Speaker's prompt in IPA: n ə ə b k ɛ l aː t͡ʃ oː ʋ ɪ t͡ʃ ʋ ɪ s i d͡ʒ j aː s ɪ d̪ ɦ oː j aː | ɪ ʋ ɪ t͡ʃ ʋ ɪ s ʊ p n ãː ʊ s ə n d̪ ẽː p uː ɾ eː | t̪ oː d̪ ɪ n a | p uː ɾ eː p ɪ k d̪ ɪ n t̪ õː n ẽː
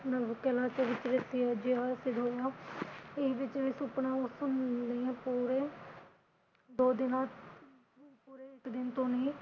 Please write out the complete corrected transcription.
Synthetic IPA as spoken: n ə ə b k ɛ l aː t͡ʃ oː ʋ ɪ t͡ʃ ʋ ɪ s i d͡ʒ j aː s ɪ d̪ ɦ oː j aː | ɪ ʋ ɪ t͡ʃ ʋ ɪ s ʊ p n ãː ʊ s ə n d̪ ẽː p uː ɾ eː | d̪ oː d̪ ɪ n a | p uː ɾ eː ɪ k d̪ ɪ n t̪ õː n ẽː